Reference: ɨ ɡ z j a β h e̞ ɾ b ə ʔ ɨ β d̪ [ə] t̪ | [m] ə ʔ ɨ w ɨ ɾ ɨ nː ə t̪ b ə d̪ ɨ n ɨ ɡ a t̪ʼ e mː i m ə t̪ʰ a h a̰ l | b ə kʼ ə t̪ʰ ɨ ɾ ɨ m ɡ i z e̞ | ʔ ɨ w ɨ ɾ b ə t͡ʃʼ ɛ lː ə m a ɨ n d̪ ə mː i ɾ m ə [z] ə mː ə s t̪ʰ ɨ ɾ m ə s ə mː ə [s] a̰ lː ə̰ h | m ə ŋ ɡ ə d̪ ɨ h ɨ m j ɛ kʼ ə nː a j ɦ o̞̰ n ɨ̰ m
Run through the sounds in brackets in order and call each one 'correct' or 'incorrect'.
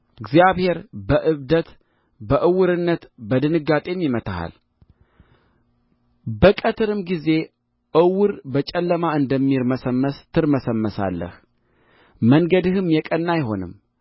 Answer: correct, incorrect: b, incorrect: s, correct

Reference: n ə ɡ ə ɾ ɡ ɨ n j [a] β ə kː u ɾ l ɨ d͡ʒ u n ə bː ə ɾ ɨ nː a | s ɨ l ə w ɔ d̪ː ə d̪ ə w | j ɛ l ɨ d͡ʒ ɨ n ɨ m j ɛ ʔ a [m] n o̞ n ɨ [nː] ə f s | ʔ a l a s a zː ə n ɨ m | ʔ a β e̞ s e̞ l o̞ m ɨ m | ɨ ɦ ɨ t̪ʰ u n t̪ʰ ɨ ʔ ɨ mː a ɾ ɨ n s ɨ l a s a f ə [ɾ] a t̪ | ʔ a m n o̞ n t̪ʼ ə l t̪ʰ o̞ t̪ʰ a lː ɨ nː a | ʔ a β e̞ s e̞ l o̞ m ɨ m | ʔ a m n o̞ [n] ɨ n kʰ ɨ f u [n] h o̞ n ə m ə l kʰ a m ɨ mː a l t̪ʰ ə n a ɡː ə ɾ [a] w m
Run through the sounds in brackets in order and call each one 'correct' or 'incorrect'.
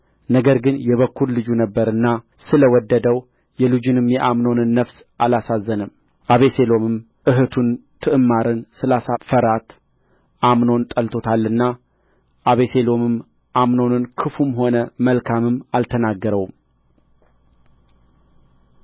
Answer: incorrect: ɛ, correct, correct, correct, correct, incorrect: m, incorrect: ə

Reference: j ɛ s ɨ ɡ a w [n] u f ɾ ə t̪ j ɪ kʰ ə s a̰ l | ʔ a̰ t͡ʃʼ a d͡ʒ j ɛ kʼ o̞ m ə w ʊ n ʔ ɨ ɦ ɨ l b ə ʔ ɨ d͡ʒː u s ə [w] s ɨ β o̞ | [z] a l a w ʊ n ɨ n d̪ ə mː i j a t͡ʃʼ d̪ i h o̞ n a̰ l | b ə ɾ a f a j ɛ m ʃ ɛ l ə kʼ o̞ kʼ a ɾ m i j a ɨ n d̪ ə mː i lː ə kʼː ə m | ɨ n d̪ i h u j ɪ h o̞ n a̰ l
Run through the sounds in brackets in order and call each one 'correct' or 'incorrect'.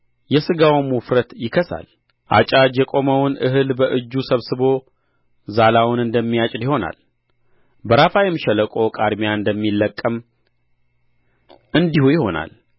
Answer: incorrect: m, incorrect: β, correct

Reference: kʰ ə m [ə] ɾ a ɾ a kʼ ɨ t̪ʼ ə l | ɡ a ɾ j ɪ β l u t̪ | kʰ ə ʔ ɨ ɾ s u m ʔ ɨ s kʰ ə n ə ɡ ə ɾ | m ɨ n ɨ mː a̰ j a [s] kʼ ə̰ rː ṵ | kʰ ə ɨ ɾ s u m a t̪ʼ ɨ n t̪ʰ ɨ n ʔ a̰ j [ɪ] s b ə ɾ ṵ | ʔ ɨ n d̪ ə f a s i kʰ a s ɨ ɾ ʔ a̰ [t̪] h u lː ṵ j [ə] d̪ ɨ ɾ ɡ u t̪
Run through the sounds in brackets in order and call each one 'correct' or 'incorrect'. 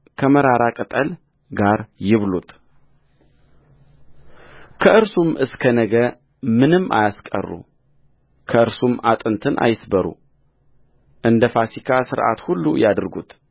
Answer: correct, correct, correct, correct, incorrect: a

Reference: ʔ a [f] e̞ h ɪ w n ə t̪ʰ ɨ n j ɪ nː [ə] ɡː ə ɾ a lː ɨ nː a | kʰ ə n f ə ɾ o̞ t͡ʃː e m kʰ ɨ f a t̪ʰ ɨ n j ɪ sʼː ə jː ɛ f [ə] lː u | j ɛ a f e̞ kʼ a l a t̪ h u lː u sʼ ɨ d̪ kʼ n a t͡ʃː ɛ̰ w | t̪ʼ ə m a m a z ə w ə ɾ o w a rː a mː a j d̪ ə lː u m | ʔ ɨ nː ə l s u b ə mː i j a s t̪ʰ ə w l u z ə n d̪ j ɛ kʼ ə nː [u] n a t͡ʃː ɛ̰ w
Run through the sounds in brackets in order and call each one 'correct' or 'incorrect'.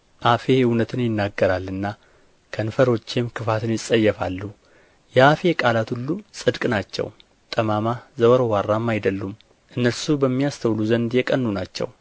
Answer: correct, incorrect: a, incorrect: a, correct

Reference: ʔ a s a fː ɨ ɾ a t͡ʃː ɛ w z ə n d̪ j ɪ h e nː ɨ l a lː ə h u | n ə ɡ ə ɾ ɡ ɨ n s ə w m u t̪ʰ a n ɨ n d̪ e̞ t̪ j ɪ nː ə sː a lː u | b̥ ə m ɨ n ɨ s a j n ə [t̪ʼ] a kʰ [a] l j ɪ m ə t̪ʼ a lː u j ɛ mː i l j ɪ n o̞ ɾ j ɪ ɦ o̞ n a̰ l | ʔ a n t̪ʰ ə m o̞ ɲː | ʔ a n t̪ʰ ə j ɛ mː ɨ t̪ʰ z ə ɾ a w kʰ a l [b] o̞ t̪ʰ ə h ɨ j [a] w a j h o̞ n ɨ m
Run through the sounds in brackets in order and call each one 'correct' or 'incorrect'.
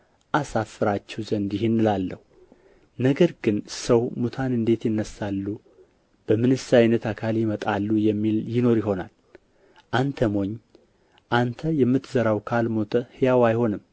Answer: incorrect: t̪, correct, incorrect: m, correct

